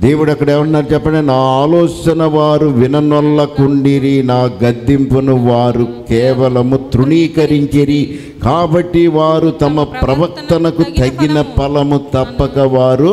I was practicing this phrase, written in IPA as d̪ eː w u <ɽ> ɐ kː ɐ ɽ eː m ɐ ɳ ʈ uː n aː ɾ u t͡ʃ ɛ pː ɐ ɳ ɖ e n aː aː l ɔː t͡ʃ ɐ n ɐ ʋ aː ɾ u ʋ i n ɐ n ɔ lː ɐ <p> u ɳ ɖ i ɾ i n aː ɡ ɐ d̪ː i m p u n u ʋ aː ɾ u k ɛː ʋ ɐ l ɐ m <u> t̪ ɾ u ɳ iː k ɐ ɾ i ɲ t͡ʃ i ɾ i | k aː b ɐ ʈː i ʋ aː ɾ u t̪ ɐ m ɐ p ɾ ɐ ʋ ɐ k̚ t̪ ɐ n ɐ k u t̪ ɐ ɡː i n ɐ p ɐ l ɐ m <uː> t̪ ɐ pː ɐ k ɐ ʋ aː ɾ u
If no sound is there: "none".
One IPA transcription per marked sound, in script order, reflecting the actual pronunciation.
ɽ, k, u, u

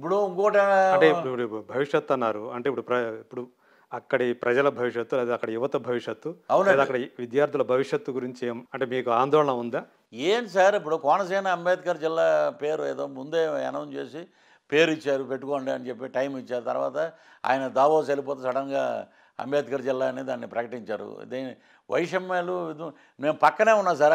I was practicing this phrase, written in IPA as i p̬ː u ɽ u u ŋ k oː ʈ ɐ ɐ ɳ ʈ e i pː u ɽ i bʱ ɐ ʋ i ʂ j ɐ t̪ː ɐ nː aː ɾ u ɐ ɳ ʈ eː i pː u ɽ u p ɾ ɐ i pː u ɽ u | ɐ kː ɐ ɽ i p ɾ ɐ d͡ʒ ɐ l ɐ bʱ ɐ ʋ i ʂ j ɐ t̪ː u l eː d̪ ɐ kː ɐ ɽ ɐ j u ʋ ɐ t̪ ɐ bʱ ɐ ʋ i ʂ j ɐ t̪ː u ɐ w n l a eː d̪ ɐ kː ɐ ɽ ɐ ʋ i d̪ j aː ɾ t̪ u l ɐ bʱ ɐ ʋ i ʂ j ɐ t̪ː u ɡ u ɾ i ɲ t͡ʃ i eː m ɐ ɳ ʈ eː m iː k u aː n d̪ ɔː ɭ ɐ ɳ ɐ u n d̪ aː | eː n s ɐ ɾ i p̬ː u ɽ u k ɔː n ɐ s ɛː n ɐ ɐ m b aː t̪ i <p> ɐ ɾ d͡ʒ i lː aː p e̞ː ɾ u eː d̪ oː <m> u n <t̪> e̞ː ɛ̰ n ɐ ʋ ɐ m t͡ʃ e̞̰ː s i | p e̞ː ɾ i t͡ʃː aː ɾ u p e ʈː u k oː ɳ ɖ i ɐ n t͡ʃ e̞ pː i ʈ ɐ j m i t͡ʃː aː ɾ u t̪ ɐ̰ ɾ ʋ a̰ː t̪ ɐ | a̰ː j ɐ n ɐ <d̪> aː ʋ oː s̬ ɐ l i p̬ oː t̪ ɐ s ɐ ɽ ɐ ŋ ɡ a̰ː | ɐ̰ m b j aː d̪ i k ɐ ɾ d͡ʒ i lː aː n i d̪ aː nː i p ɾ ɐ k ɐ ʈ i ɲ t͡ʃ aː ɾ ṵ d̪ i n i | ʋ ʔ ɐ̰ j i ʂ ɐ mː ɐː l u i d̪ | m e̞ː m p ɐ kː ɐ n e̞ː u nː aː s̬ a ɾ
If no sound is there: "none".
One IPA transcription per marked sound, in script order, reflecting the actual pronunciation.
k, m, d̪, d̪

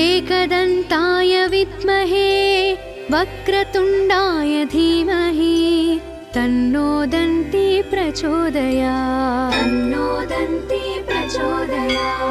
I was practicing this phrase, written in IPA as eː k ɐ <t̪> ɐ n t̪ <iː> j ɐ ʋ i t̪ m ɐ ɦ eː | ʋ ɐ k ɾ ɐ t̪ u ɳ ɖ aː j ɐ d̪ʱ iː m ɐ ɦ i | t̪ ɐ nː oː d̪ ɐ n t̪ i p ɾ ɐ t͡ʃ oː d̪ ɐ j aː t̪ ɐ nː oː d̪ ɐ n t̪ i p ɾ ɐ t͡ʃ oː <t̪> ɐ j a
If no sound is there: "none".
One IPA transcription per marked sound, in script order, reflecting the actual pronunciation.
d̪, aː, d̪

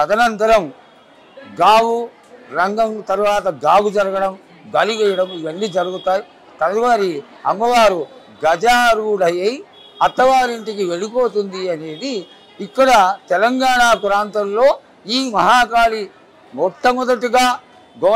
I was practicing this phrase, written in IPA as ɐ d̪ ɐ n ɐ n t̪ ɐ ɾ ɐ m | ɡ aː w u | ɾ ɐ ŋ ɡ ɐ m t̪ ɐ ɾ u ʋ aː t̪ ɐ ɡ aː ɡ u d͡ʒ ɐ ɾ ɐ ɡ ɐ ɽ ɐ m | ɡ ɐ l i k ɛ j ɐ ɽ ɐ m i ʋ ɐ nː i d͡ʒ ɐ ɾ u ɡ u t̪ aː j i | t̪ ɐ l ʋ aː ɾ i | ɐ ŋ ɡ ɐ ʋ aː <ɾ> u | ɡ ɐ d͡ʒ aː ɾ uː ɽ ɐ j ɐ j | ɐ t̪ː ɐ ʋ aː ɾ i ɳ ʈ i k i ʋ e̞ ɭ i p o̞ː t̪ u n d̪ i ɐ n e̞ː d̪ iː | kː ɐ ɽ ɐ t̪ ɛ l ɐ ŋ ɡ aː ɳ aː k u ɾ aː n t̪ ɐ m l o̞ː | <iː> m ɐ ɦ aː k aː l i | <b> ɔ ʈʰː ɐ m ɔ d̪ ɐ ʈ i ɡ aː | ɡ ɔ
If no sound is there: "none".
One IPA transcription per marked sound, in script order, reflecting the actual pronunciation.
ɾ, iː, m

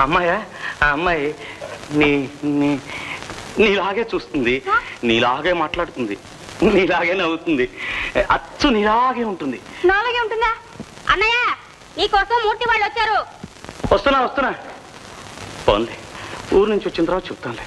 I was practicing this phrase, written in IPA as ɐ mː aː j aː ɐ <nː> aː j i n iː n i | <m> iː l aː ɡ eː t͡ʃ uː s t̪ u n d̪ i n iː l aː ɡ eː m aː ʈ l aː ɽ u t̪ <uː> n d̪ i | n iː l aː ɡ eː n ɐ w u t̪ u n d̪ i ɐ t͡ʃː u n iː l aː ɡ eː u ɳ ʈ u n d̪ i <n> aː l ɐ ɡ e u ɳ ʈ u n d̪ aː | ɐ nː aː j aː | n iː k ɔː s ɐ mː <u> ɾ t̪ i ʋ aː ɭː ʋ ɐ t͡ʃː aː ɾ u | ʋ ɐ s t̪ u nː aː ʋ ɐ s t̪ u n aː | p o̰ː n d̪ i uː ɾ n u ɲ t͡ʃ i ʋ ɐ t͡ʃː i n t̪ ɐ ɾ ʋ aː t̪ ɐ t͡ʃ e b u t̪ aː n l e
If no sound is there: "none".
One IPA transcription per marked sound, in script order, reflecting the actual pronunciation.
mː, n, u, n, uː

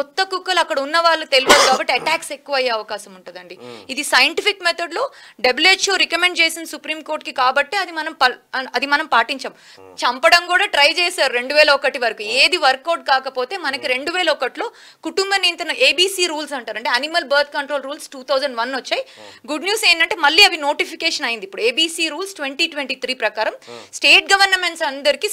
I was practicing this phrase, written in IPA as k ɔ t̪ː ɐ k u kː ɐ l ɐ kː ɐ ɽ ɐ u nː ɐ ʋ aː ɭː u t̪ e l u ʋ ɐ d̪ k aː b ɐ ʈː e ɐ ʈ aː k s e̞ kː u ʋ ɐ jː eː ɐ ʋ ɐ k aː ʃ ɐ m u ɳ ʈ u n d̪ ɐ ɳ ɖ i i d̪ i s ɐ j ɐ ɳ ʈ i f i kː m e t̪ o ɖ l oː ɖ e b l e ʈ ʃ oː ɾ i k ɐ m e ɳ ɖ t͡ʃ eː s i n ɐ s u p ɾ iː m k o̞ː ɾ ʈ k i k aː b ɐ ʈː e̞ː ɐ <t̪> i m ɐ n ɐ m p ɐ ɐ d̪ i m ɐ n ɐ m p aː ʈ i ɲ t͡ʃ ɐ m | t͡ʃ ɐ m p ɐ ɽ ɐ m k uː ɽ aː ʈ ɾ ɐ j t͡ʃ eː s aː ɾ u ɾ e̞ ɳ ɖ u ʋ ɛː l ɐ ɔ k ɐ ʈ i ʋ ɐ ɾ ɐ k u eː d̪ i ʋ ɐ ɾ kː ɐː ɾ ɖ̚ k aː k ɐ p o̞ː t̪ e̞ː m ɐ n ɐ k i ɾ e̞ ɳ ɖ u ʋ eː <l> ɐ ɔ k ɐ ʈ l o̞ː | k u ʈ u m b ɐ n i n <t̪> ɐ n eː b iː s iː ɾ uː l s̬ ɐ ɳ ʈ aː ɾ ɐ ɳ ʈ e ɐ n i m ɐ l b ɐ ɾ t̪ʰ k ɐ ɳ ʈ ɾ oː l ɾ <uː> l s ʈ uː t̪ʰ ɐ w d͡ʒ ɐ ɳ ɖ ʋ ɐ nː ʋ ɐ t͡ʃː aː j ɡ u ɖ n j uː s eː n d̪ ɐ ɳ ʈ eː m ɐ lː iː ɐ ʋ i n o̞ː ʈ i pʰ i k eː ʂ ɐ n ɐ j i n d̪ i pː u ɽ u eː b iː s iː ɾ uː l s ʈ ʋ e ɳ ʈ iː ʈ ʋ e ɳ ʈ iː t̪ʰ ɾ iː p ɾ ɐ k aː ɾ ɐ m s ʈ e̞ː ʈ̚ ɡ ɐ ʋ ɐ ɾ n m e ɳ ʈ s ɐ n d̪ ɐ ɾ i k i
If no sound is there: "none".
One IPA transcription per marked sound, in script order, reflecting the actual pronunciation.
d̪, l, t̪, uː

